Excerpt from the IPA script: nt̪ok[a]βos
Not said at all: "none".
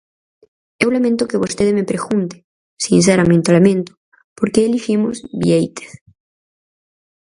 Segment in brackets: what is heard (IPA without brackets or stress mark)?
e